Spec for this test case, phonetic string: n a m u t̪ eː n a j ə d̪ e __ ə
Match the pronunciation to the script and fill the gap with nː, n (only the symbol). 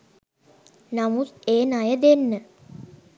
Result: nː